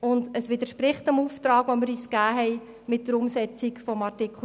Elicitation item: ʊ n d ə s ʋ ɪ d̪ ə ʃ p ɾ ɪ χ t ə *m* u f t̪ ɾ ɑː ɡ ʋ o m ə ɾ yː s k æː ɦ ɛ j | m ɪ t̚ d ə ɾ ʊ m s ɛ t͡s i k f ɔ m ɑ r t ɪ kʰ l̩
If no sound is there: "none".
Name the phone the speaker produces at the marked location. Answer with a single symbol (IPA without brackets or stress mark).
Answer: m